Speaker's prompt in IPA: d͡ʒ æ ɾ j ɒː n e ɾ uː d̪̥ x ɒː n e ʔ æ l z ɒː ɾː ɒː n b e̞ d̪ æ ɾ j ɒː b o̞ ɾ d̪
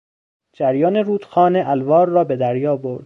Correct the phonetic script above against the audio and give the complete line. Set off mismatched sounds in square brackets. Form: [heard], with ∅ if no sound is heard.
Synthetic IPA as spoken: d͡ʒ æ ɾ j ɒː n e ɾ uː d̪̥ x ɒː n e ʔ æ l [v] ɒː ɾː ɒː [∅] b e̞ d̪ æ ɾ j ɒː b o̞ ɾ d̪